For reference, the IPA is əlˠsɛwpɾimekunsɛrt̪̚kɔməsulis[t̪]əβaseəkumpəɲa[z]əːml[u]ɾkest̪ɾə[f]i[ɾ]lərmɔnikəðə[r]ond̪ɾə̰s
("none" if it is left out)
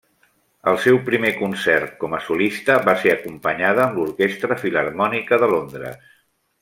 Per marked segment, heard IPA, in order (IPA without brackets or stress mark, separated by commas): t̪, ð, u, f, none, l